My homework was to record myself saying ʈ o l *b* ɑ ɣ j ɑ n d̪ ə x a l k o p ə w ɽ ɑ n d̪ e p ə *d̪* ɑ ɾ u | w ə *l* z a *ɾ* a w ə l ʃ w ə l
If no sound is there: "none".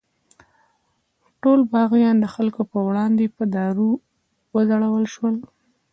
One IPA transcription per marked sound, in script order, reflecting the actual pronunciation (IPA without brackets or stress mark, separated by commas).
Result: b, d̪, none, ɽ